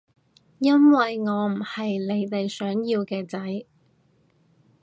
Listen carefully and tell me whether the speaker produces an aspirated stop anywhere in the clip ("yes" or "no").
no